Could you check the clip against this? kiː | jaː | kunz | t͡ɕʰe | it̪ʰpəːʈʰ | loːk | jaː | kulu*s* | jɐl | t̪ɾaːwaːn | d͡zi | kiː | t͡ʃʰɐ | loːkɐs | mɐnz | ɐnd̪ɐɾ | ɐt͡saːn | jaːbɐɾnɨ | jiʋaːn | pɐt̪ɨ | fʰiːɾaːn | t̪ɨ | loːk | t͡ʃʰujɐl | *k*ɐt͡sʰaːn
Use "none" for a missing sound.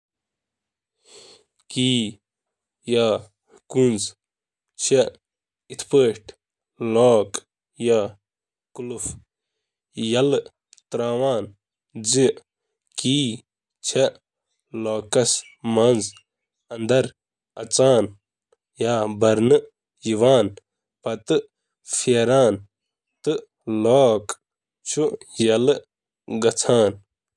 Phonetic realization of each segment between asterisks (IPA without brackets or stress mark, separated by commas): f, ɡ